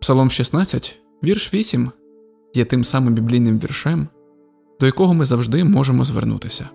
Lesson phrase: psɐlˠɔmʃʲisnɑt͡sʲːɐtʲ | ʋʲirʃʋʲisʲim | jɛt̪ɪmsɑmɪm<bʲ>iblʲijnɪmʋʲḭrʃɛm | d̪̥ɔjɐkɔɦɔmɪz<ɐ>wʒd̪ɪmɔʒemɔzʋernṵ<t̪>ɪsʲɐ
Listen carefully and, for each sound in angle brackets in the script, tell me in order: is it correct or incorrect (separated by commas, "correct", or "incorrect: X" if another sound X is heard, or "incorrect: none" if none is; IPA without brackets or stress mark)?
correct, correct, correct